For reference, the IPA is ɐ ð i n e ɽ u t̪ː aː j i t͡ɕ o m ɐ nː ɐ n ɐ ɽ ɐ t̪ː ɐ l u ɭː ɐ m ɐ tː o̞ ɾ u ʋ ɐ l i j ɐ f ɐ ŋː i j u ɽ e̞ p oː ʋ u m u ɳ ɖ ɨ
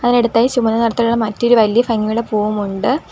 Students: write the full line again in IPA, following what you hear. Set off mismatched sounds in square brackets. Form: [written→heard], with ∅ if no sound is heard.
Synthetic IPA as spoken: ɐ ð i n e ɽ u t̪ː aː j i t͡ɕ [o→u] m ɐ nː ɐ n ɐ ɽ ɐ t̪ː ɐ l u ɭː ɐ m ɐ tː o̞ ɾ u ʋ ɐ l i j ɐ f ɐ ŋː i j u ɽ e̞ p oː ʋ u m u ɳ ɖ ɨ